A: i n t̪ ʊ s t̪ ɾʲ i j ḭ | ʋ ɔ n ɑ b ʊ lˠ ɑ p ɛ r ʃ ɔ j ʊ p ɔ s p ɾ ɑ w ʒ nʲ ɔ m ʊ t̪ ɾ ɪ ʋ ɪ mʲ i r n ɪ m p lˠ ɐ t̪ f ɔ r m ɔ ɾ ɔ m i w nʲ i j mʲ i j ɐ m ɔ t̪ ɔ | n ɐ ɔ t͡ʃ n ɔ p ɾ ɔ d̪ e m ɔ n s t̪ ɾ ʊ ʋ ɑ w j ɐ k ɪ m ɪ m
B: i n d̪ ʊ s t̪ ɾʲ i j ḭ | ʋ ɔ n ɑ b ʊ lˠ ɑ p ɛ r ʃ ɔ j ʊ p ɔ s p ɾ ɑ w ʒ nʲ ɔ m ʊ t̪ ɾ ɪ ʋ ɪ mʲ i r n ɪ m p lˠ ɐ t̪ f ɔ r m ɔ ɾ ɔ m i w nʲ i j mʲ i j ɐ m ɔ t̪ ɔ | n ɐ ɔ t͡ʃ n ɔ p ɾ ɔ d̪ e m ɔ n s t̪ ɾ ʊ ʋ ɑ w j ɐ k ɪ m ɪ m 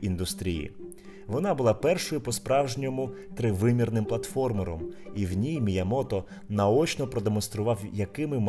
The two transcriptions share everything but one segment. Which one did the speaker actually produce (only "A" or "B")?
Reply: B